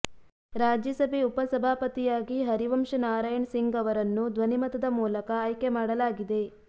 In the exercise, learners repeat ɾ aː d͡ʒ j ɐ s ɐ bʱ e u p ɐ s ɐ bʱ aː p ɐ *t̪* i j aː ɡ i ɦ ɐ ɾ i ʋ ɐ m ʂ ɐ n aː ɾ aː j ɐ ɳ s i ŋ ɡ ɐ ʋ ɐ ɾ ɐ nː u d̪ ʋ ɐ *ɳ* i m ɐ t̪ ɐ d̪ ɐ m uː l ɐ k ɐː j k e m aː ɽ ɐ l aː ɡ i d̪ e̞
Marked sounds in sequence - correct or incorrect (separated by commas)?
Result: correct, incorrect